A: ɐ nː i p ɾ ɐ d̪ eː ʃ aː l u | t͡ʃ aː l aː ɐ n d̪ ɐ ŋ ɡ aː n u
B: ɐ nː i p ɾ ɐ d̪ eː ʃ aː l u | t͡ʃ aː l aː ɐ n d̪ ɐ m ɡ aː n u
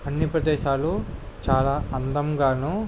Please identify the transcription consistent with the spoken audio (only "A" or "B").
B